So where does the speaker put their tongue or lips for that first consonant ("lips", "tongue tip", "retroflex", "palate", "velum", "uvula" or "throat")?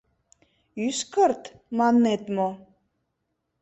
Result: tongue tip